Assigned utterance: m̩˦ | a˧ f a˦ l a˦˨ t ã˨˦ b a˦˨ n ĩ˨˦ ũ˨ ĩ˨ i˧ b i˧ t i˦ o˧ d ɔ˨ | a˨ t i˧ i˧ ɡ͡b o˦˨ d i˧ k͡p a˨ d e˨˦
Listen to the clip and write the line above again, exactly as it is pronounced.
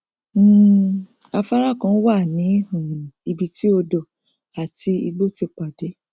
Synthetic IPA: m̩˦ | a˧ f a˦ ɾ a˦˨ k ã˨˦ w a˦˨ n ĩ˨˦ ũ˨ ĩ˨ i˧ b i˧ t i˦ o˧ d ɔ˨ | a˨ t i˧ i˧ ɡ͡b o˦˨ t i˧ k͡p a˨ d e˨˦

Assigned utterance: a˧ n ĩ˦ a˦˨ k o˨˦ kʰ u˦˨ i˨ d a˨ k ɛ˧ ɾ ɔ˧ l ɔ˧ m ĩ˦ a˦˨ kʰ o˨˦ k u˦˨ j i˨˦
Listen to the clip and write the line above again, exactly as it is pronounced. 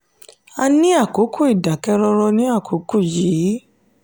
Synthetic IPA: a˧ n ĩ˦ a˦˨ k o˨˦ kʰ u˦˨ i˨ d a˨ k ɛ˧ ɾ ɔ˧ ɾ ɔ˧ n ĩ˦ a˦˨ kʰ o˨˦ k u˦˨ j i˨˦

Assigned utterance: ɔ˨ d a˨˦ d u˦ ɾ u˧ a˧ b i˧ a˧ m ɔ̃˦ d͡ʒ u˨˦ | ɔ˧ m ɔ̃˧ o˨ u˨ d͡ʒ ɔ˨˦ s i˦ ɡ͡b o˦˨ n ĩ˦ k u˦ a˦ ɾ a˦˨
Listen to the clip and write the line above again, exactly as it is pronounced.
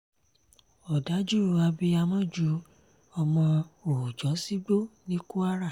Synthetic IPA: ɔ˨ d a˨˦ d͡ʒ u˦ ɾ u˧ a˧ b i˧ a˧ m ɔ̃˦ d͡ʒ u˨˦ | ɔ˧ m ɔ̃˧ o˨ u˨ d͡ʒ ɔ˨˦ s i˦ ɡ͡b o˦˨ n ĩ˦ k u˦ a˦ ɾ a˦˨

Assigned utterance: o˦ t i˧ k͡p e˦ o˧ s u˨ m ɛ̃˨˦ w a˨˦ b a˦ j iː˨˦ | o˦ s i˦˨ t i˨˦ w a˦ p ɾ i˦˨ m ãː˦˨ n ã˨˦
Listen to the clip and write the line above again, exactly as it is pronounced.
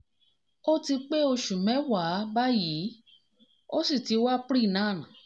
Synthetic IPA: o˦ t i˧ k͡p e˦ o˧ ʃ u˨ m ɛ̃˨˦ w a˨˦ b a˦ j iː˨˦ | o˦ s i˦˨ t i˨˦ w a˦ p ɾ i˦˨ n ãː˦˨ n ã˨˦

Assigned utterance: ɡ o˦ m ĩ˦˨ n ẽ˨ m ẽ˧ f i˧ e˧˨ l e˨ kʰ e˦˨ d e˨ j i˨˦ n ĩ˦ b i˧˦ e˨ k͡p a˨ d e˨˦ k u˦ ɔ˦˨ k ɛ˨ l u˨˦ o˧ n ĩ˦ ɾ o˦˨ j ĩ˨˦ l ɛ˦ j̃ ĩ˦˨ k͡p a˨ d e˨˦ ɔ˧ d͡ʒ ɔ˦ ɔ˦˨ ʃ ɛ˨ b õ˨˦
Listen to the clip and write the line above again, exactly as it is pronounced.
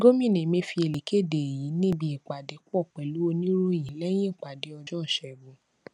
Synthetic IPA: ɡ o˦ m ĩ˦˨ n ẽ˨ m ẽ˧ f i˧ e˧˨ l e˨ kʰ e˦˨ d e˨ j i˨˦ n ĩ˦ b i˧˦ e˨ k͡p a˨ d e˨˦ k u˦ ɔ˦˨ k͡p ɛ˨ l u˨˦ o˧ n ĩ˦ ɾ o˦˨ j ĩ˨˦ l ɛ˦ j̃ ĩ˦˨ k͡p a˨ d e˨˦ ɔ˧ d͡ʒ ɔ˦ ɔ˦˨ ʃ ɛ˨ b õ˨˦

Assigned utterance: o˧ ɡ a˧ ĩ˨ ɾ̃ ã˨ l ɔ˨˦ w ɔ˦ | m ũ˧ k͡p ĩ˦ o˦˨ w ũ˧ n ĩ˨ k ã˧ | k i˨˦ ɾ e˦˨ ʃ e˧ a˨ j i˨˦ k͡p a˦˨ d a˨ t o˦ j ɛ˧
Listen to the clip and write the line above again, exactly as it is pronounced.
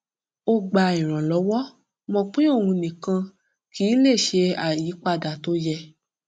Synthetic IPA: o˧ ɡ͡b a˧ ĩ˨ ɾ̃ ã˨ l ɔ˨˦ w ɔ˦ | m ɔ̃˧ k͡p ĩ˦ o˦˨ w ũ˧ n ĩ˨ k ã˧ | k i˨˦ l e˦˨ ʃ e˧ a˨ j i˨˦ k͡p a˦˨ d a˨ t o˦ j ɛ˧

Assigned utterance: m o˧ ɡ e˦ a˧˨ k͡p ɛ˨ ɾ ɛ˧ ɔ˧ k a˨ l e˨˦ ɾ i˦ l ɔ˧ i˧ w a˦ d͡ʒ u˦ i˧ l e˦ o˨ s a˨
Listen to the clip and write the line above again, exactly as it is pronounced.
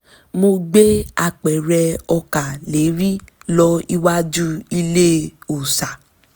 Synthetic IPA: m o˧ ɡ͡b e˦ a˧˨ k͡p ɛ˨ ɾ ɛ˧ ɔ˧ k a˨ l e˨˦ ɾ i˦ l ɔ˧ i˧ w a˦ d͡ʒ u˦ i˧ l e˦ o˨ s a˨

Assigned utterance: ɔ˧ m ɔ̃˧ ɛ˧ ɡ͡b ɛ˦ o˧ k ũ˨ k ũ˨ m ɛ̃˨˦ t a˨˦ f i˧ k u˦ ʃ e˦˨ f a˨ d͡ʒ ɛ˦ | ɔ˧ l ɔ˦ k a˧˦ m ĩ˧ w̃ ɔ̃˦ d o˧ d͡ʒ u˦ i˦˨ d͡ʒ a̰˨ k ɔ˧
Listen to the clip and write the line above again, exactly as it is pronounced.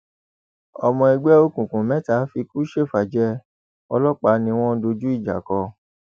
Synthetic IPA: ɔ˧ m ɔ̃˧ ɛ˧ ɡ͡b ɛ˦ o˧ k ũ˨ k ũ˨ m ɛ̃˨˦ t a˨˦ f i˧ k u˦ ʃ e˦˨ f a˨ d͡ʒ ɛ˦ | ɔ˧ l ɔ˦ k͡p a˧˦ n ĩ˧ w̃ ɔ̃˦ d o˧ d͡ʒ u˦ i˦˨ d͡ʒ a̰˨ k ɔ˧

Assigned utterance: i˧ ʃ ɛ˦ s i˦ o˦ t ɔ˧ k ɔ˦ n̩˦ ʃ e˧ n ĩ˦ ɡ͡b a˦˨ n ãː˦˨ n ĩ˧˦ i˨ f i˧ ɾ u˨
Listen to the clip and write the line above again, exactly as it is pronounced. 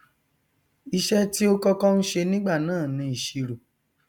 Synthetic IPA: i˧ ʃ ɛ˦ t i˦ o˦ k ɔ˧ k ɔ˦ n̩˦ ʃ e˧ n ĩ˦ ɡ͡b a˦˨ n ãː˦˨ n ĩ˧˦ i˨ ʃ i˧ ɾ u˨

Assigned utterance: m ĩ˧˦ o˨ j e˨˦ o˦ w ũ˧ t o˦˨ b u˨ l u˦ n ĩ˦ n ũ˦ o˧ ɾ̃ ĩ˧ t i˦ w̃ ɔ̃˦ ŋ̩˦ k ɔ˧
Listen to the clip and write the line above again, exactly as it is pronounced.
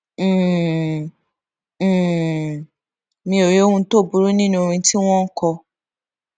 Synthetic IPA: m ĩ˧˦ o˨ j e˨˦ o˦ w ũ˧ t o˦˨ b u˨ ɾ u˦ n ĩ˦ n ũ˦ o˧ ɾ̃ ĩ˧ t i˦ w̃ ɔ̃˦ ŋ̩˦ k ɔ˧

